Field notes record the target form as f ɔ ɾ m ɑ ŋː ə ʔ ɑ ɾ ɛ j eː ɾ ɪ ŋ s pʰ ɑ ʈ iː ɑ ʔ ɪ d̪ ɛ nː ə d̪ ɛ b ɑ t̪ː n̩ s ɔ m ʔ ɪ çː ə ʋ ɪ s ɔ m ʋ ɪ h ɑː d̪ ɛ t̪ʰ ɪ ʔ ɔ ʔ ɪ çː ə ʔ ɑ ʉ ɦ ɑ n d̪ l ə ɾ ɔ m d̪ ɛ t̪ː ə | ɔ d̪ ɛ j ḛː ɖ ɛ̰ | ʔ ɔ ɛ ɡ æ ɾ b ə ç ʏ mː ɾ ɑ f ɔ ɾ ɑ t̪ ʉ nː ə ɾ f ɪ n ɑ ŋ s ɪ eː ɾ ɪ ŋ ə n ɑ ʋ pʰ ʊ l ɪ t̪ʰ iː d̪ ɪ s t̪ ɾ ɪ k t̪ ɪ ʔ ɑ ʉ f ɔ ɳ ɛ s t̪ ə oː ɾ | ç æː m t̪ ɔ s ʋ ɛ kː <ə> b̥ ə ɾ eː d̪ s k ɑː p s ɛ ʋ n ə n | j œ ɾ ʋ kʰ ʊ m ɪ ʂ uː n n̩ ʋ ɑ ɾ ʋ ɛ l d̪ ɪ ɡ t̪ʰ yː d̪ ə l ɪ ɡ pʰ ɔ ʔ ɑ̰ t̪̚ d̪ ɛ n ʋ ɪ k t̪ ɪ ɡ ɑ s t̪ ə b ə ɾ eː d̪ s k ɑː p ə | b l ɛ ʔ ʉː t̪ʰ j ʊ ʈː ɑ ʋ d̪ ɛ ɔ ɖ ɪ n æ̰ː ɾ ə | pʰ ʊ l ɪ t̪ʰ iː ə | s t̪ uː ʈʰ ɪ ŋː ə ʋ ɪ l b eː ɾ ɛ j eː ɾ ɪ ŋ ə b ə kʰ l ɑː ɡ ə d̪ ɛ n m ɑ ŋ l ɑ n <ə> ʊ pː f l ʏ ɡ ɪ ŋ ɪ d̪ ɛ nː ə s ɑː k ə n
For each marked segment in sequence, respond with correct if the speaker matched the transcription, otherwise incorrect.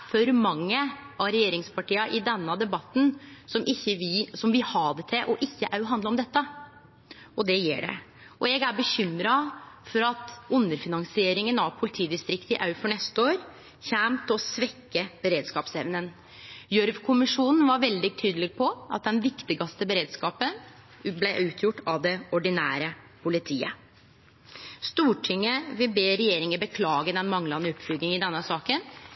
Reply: correct, correct

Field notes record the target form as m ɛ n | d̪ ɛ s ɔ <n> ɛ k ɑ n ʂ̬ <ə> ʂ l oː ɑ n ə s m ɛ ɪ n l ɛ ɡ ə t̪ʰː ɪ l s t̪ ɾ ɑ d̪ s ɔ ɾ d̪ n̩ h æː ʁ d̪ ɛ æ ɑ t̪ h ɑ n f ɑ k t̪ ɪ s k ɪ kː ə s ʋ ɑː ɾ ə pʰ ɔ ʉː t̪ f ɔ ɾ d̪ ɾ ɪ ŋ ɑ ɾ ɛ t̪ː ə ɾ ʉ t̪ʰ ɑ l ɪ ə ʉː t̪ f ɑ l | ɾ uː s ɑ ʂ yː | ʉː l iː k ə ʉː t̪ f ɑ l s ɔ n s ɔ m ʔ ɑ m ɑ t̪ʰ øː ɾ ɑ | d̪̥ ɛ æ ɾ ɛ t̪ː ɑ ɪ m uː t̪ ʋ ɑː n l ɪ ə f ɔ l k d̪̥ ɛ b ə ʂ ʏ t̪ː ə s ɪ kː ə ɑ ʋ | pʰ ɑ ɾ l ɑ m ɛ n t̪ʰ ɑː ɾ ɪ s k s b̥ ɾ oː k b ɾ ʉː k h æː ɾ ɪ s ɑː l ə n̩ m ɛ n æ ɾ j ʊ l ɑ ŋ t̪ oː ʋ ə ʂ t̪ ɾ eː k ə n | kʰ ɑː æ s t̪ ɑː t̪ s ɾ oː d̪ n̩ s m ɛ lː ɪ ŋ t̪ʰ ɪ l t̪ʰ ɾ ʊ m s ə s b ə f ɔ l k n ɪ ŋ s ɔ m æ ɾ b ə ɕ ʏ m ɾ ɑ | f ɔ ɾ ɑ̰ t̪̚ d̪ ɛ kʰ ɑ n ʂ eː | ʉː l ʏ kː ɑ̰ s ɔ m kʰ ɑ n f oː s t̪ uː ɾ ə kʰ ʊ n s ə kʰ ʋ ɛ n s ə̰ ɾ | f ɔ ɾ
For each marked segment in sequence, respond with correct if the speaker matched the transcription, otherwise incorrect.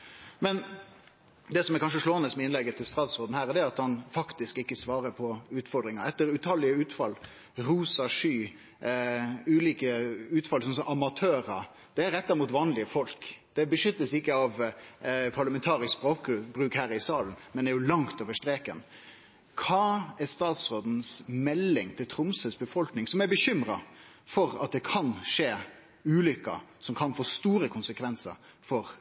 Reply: incorrect, correct

